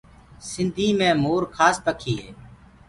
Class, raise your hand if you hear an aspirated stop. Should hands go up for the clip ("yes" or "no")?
yes